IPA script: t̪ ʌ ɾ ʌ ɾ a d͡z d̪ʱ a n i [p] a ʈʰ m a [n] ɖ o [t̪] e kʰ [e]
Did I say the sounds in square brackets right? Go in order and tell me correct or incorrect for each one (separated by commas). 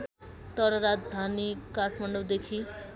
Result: incorrect, incorrect, incorrect, incorrect